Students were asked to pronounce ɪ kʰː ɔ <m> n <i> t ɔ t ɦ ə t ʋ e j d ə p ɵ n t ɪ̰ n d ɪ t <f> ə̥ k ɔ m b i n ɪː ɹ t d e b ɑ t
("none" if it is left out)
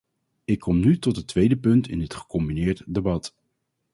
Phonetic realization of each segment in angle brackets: m, y, χ

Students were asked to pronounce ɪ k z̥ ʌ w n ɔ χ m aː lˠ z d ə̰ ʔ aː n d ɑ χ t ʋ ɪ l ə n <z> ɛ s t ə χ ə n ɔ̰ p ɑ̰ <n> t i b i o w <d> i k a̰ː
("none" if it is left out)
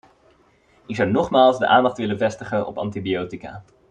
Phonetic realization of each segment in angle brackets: v, n, t

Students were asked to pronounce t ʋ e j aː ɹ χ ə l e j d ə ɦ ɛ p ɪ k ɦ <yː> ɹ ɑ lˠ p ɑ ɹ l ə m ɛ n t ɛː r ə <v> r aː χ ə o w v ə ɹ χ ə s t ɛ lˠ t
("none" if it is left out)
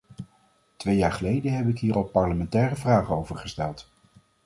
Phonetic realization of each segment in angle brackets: iː, v

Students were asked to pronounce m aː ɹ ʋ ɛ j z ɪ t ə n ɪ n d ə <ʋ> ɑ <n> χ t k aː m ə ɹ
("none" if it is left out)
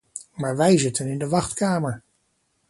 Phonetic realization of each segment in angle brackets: ʋ, none

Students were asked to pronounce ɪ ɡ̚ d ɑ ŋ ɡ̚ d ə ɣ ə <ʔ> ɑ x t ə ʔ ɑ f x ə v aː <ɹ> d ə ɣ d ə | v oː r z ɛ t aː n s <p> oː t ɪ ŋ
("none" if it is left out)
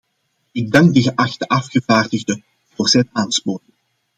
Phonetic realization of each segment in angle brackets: ʔ, r, p

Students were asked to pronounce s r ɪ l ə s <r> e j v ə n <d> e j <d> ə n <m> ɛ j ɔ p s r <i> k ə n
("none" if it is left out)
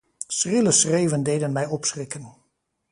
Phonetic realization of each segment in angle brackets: r, d, d, m, ɪ

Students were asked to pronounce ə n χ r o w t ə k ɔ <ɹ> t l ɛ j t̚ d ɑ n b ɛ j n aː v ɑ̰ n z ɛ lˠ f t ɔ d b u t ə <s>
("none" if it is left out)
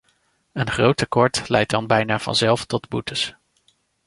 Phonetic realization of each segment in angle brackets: ɹ, s

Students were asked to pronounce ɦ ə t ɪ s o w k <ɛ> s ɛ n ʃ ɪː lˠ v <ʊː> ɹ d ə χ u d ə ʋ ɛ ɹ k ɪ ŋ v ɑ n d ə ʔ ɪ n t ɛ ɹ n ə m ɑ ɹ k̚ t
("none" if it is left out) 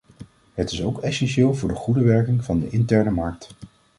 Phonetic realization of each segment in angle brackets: ɛ, ʊː

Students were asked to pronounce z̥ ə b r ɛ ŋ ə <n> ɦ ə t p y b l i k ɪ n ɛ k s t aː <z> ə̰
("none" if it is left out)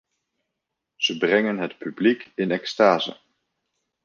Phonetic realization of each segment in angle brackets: n, z

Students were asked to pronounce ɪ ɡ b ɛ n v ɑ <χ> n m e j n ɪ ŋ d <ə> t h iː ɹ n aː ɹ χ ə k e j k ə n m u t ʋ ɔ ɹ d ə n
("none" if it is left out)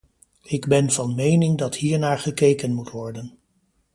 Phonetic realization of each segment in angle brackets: none, ɑ

